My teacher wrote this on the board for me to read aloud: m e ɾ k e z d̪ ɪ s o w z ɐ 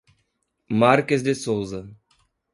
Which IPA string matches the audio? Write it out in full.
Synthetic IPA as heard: m a ɾ k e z d̪ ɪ s o w z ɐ